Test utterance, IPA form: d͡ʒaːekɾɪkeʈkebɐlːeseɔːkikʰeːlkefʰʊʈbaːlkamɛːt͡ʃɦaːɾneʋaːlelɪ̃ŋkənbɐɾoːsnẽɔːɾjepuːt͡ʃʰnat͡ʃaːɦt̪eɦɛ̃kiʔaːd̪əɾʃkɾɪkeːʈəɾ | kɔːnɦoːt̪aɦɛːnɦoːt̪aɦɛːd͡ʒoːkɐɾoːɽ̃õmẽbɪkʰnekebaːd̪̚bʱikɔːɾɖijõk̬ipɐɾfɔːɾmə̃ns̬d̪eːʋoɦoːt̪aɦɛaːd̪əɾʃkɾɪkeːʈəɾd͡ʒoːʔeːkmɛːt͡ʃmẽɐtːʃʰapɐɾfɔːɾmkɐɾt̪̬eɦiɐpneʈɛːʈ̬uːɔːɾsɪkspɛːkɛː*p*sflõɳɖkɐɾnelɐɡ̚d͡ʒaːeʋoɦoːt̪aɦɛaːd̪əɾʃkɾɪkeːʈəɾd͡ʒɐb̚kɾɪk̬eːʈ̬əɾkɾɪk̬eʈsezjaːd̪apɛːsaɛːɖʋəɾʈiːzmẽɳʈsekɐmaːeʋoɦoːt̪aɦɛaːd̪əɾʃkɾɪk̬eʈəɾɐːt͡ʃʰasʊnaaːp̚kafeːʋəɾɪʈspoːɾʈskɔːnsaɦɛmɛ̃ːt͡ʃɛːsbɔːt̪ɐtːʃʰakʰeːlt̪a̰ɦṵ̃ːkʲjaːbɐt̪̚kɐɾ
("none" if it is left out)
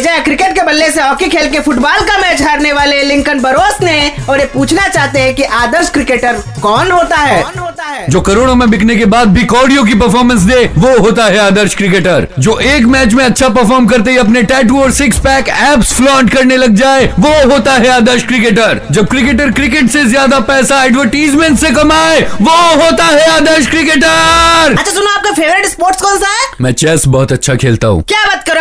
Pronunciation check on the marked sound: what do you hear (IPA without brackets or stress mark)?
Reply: p